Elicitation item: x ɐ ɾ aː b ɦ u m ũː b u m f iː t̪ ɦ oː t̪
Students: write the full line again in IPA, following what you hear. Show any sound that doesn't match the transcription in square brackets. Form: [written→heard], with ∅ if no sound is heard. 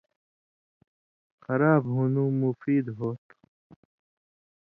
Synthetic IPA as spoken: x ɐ ɾ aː b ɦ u [m→n] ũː [b→m] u [m→∅] f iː [t̪→d̪] ɦ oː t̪